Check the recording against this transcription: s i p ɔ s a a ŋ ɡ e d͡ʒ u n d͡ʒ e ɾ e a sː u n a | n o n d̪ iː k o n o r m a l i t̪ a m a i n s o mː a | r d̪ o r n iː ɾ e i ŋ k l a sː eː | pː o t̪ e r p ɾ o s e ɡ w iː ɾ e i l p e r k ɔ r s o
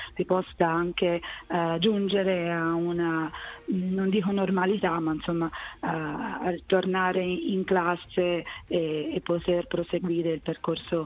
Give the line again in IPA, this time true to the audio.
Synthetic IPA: s i p ɔ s a a ŋ k e d͡ʒ u n d͡ʒ e ɾ e a u n a | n o n d̪ iː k o n o r m a l i t̪ a m a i n s o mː a | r t̪ o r n aː ɾ e i ŋ k l a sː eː | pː o t̪ e r p ɾ o s e ɡ w iː ɾ e i l p e r k o r s o